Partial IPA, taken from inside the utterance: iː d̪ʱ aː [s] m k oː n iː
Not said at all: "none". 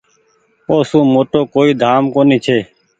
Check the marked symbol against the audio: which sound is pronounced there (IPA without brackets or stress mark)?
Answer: none